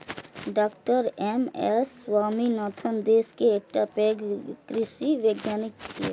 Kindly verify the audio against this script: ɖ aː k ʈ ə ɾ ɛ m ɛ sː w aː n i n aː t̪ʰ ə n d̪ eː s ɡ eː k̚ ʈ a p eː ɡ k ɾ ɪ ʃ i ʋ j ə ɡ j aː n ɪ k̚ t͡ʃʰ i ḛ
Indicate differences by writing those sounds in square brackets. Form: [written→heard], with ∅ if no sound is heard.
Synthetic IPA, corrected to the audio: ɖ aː k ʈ ə ɾ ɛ m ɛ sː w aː [n→m] i n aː t̪ʰ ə n d̪ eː s [ɡ→k] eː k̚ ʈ a p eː ɡ k ɾ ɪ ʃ i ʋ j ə ɡ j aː n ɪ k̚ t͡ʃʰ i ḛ